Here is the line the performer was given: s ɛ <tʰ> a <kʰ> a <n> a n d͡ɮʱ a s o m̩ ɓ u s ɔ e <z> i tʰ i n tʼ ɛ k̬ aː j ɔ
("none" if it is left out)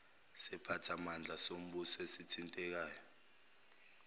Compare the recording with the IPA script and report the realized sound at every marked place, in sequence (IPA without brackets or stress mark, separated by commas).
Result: pʰ, tʰ, m, s